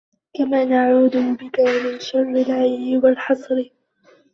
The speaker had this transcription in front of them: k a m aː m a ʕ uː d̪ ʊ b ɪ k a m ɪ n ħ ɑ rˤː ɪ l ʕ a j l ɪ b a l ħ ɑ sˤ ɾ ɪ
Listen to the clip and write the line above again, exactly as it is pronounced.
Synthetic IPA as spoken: k a m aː n a ʕ uː d̪ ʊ b ɪ k a m ɪ n ʃ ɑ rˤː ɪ l ʕ a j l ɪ w a l ħ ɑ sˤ ɾ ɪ